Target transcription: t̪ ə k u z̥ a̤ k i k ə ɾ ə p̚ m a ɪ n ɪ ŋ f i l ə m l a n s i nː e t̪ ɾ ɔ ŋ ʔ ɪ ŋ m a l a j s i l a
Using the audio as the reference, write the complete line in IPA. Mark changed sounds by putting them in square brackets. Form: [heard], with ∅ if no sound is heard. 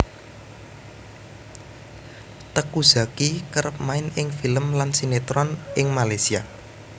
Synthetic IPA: t̪ ə k u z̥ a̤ k i k ə ɾ ə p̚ m a ɪ n ɪ ŋ f i l ə m l a n s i [n] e t̪ ɾ ɔ [n] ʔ ɪ ŋ m a l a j s i [∅] a